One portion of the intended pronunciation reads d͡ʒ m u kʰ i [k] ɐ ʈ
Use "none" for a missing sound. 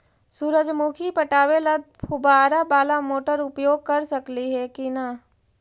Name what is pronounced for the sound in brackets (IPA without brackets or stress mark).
p